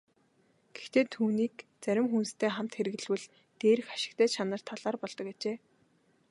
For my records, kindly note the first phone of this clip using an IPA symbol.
ɡ̥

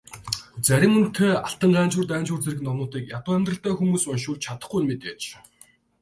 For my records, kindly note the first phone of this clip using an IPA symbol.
t͡s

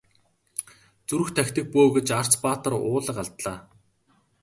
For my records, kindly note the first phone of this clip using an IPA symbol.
t͡s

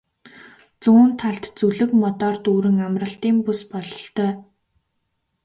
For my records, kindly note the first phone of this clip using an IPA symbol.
t͡s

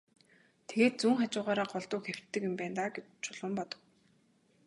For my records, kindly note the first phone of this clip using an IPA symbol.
t̪ʰ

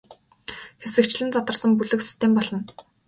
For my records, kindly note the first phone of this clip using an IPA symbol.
x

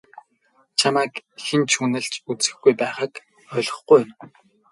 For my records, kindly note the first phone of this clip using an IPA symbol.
t͡ɕʰ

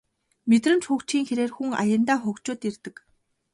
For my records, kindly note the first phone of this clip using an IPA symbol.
m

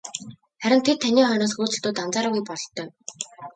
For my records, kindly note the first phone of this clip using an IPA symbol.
χ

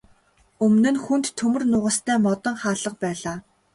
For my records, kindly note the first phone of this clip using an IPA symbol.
ɵ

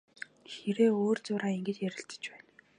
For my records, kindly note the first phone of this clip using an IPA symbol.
x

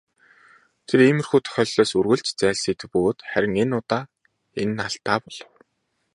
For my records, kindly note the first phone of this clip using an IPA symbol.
t̪ʰ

